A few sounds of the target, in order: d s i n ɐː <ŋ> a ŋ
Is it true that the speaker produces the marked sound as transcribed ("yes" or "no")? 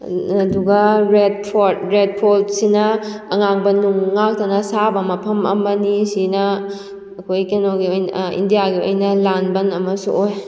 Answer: yes